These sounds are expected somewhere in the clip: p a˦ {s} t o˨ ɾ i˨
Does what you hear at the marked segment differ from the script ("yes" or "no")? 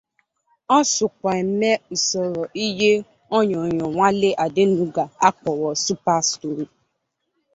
no